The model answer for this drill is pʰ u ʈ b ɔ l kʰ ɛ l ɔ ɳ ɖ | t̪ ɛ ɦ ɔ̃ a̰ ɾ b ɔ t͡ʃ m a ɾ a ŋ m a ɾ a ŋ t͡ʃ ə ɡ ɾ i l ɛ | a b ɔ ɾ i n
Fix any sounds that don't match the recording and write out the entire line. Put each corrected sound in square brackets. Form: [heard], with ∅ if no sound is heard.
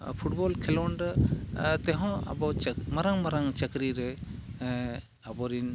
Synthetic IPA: pʰ u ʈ b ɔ l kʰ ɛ l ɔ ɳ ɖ | t̪ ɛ ɦ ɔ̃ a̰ [∅] b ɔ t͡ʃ m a ɾ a ŋ m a ɾ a ŋ t͡ʃ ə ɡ ɾ i [ɾ] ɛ | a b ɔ ɾ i n